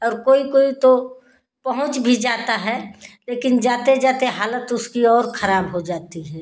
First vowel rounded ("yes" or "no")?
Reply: yes